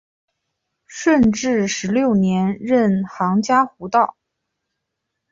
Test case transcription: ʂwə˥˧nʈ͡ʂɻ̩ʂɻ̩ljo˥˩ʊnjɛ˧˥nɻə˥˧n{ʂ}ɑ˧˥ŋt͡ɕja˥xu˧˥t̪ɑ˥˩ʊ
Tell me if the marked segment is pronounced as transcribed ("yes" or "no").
no